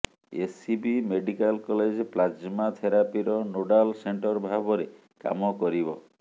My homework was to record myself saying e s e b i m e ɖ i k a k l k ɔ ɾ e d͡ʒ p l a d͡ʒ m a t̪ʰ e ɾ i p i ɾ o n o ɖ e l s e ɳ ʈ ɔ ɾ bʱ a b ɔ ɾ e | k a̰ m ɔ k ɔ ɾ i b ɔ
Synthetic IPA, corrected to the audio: e s i b i m e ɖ i k a l k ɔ l e d͡ʒ p l a d͡ʒ m a t̪ʰ e ɾ a p i ɾ ɔ n o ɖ a l s e ɳ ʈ ɔ ɾ bʱ a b ɔ ɾ e | k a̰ m ɔ k ɔ ɾ i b ɔ